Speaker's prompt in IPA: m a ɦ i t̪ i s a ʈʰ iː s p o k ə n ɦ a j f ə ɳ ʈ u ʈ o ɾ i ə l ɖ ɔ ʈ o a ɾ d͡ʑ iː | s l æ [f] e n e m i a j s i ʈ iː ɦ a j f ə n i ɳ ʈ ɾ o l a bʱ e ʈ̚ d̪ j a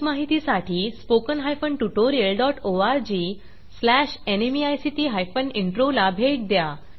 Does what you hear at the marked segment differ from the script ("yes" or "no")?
yes